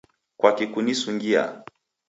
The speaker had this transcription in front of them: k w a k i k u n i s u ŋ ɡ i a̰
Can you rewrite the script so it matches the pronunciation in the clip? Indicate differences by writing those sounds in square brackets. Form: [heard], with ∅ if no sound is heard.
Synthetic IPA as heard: k w a k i k u n i s u ŋ ɡ i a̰